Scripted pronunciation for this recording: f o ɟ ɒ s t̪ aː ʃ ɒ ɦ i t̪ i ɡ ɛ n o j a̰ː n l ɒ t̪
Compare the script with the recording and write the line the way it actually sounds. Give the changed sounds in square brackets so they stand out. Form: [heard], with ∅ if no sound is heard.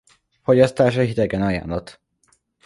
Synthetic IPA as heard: f o ɟ ɒ s t̪ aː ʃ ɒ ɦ i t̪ [ɛ] ɡ ɛ n [ɒ] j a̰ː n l ɒ t̪